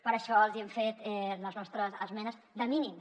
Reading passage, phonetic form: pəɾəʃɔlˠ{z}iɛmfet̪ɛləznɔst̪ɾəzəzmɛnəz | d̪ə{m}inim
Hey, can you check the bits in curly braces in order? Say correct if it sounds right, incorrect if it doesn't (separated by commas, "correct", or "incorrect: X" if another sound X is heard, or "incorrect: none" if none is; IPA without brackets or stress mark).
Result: correct, correct